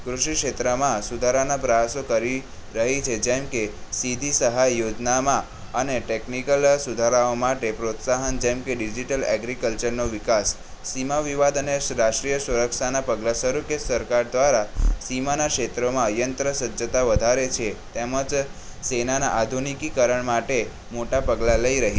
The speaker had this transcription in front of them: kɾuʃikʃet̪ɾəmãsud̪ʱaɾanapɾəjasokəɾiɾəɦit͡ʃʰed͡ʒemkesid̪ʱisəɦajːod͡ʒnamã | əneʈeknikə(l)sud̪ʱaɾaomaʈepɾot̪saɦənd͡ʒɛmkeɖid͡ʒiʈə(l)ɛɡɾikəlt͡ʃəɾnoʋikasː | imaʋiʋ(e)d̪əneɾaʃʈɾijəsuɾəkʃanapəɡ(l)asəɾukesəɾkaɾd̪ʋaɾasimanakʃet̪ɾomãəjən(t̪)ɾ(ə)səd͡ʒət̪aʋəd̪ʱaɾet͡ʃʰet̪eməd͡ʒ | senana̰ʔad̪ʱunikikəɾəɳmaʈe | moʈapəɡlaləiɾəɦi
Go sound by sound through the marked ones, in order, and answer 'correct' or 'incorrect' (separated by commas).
correct, correct, incorrect, correct, correct, correct